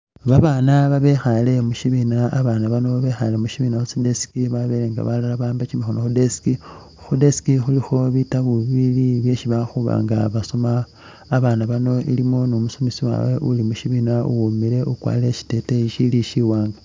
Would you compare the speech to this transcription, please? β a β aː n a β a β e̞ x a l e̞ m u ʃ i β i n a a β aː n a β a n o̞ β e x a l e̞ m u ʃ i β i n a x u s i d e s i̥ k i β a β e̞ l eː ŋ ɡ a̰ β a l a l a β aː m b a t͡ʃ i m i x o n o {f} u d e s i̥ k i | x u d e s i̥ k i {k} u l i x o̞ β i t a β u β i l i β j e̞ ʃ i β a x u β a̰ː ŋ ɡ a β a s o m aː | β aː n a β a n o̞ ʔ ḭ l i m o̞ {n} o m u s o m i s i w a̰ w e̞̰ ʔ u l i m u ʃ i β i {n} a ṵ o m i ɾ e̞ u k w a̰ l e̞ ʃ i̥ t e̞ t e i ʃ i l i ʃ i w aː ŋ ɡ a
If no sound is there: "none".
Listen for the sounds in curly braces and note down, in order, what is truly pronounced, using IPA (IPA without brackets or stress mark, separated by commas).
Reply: x, x, n, n